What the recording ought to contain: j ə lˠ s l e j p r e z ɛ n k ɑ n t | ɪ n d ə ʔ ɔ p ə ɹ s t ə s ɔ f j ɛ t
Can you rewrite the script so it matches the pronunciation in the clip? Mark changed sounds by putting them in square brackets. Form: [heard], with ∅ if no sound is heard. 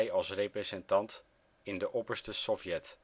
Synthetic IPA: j [ɑ] lˠ s [r] e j p r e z ɛ n [t] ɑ n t | ɪ n d ə ʔ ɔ p ə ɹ s t ə s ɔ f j ɛ t